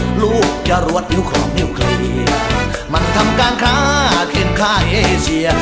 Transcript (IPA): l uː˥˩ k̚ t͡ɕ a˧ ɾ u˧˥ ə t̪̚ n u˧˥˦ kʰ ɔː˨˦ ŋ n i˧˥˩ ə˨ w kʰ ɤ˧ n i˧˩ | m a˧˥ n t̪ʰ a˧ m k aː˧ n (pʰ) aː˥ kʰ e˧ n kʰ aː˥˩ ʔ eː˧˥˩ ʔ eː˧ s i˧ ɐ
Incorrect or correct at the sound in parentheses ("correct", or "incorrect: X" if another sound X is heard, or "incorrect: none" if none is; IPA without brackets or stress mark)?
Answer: incorrect: kʰ